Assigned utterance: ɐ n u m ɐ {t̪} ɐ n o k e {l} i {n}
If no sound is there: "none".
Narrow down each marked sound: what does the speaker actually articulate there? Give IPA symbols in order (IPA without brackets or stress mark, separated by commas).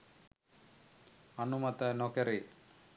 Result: t̪, ɾ, none